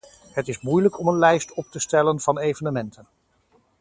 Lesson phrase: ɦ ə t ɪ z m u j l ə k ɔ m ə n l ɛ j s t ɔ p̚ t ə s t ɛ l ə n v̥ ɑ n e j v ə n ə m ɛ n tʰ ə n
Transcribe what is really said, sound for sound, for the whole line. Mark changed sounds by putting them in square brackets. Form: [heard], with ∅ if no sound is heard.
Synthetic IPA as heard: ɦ ə t ɪ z m u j l ə k ɔ m ə n l ɛ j s t ɔ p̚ t ə s t ɛ l ə n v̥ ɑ n e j v ə n ə m ɛ n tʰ ə n